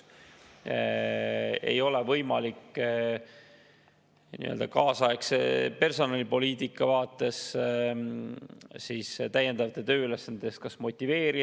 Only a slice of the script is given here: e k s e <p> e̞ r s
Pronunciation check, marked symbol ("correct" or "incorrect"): correct